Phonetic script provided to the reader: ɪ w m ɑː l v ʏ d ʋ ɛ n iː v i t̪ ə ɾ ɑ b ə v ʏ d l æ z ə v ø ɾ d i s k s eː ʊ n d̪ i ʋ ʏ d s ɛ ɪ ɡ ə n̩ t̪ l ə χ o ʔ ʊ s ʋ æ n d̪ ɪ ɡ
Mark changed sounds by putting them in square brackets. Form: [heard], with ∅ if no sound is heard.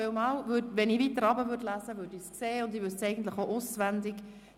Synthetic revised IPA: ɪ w m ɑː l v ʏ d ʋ ɛ n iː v i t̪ ə ɾ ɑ b ə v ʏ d l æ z ə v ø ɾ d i s k s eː ʊ n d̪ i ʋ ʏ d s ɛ ɪ ɡ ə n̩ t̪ l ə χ o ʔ ʊ s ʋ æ n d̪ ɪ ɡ